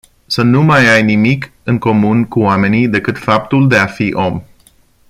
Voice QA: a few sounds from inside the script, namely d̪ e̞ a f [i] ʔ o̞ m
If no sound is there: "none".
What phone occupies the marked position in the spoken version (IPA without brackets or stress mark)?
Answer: i